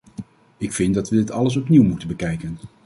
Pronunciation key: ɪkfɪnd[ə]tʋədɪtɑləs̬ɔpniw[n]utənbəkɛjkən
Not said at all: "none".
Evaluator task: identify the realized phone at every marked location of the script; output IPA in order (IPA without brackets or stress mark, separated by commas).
ɑ, m